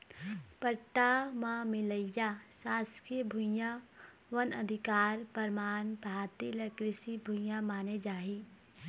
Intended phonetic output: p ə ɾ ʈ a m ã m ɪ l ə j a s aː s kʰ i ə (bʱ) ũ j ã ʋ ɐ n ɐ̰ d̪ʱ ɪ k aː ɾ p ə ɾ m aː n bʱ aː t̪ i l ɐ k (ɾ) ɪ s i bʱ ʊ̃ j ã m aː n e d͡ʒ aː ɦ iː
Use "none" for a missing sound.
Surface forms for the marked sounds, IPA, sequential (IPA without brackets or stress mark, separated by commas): bʱ, ɾ